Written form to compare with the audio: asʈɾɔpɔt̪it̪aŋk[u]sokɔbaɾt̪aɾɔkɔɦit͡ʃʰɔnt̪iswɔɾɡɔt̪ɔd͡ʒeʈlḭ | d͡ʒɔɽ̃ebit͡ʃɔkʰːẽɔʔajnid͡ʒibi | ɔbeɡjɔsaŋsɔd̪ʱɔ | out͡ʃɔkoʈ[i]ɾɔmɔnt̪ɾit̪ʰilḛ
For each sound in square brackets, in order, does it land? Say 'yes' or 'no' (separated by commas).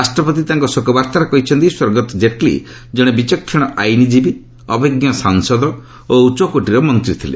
no, yes